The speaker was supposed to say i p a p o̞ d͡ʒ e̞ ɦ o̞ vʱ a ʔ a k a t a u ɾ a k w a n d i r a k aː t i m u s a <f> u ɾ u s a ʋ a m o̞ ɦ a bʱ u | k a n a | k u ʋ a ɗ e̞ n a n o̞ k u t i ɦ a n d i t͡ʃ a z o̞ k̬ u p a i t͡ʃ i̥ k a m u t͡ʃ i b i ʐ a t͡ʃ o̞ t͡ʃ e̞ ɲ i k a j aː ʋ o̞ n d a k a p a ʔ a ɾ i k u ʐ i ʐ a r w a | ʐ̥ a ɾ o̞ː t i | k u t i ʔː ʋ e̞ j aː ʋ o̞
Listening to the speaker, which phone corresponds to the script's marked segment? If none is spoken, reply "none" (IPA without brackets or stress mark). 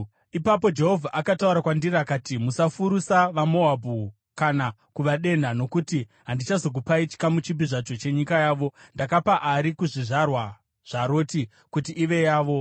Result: f